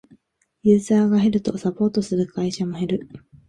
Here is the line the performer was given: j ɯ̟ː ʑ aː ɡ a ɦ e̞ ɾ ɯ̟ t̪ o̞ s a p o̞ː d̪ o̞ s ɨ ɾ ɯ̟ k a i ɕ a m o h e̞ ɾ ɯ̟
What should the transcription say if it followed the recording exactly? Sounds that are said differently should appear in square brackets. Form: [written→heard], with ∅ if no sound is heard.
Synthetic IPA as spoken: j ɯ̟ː [ʑ→z] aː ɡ a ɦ e̞ ɾ ɯ̟ t̪ o̞ s a p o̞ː [d̪→t̪] o̞ s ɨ ɾ ɯ̟ k a i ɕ a m o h e̞ ɾ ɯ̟